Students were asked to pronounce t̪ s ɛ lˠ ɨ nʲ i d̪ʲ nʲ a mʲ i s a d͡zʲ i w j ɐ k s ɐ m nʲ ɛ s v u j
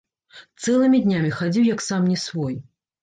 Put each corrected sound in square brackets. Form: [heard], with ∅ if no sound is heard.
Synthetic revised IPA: t̪ s ɛ lˠ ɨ [mʲ] i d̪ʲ nʲ a mʲ i [x] a d͡zʲ i w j ɐ k s [a] m nʲ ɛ s v [ɔ] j